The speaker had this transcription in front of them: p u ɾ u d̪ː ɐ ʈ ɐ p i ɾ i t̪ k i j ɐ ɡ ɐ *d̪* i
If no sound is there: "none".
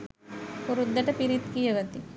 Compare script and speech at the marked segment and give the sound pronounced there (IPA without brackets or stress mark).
t̪